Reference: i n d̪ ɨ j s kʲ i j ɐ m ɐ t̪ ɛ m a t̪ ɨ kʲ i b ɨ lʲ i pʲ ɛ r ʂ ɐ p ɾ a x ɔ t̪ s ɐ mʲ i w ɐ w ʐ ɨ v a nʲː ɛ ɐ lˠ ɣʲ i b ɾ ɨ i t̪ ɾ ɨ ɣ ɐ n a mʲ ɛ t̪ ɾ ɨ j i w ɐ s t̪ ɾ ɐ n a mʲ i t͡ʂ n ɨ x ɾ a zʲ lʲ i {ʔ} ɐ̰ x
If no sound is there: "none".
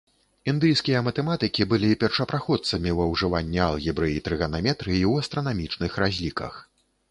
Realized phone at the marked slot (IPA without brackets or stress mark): k